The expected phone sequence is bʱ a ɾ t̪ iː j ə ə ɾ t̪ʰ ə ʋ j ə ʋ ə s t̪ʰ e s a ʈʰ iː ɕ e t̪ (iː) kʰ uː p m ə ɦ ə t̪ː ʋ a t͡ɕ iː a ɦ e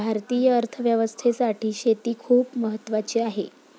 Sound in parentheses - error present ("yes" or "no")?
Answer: no